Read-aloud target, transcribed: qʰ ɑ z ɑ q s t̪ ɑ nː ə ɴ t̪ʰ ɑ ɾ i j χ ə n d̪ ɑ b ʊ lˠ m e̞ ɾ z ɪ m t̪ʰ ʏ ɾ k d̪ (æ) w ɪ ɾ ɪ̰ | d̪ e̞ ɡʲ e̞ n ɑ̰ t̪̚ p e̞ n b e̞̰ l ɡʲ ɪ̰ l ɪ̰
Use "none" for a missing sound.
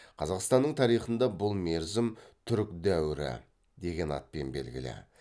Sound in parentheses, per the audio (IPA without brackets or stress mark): æ